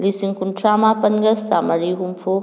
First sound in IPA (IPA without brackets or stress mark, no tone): l